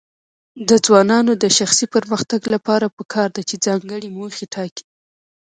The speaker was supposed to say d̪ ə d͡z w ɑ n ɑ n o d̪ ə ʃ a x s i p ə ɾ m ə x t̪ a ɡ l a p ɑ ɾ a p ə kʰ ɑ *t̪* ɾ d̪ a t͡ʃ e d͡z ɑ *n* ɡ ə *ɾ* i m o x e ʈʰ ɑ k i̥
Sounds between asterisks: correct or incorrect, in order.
incorrect, incorrect, incorrect

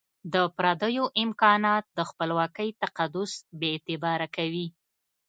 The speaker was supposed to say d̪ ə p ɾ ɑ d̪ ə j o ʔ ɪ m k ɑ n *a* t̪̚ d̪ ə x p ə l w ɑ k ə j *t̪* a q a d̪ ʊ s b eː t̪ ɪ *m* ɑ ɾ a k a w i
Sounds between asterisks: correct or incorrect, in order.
incorrect, correct, incorrect

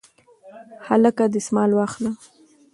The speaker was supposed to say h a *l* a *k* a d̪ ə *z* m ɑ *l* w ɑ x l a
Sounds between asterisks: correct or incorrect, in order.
correct, correct, incorrect, correct

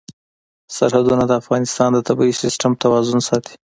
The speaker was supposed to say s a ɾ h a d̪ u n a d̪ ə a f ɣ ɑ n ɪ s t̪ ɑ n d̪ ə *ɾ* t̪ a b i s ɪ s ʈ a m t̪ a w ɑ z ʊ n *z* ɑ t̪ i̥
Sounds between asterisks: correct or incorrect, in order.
incorrect, incorrect

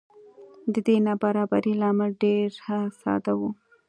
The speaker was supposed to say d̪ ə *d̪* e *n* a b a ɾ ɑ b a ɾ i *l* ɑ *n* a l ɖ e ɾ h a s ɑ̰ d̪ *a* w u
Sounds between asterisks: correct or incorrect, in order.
correct, correct, correct, incorrect, correct

